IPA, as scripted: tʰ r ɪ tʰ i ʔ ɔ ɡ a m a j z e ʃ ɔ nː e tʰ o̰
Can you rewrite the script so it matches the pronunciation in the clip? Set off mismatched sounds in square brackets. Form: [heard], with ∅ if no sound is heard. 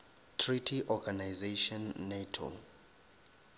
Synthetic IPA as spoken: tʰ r [i] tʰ i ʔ ɔ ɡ a [n] a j z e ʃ ɔ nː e tʰ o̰